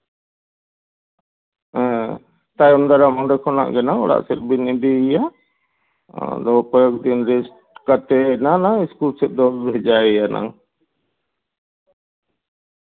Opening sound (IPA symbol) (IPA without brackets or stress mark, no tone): t̪